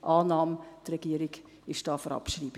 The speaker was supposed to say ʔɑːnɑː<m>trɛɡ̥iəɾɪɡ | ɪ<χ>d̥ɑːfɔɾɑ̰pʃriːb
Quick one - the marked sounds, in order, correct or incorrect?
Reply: correct, incorrect

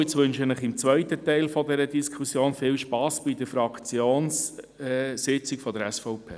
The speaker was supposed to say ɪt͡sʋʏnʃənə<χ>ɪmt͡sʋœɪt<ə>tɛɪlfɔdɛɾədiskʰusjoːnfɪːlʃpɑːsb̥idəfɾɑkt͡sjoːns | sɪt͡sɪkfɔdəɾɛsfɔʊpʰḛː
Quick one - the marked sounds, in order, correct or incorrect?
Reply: correct, correct

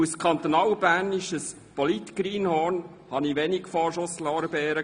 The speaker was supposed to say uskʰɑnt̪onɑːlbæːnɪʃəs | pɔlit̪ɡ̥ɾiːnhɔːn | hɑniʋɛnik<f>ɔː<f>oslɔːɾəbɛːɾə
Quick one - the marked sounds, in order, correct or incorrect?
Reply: correct, incorrect

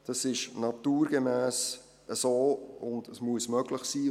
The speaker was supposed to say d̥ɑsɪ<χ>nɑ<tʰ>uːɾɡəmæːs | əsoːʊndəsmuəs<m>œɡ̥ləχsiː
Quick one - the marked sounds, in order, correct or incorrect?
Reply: incorrect, incorrect, correct

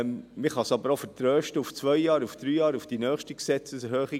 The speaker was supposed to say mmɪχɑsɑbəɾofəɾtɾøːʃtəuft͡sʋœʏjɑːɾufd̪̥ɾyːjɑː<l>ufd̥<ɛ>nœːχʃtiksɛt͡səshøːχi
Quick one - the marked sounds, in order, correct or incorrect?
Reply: incorrect, incorrect

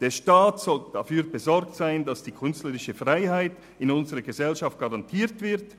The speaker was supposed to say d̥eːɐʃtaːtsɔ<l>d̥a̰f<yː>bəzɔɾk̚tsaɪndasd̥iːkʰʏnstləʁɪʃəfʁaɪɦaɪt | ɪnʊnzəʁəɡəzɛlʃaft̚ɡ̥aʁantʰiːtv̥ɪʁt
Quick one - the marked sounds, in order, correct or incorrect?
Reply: correct, correct

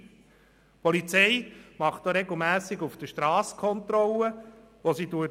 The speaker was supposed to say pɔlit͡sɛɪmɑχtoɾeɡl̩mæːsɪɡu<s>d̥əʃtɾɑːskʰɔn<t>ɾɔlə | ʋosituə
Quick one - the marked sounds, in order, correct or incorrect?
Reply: incorrect, correct

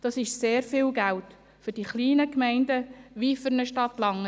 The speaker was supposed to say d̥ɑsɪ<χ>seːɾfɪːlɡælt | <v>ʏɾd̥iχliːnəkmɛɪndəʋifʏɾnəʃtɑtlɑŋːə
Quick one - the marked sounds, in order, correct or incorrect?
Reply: incorrect, incorrect

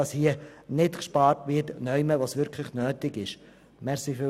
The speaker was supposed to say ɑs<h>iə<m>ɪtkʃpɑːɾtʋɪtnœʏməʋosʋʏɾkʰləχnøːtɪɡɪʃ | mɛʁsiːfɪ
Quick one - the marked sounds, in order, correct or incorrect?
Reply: correct, incorrect

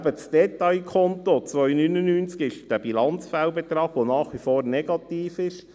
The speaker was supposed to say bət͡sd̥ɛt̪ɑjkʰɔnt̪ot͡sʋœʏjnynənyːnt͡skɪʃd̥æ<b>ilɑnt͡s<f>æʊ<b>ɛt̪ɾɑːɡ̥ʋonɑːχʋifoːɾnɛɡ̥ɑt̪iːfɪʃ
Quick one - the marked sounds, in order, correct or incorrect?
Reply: correct, correct, correct

